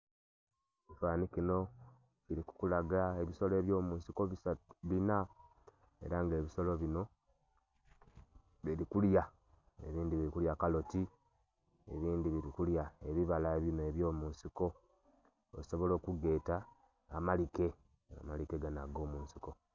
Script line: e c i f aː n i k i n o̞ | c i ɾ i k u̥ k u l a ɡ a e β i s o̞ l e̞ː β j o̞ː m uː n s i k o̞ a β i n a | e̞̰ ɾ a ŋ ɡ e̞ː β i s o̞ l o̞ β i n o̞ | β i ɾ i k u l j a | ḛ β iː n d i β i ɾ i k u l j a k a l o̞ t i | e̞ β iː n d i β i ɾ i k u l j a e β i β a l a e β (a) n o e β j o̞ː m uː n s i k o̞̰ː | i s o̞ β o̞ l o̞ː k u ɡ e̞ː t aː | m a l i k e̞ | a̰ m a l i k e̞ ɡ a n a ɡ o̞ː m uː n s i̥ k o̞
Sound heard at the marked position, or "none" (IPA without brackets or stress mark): i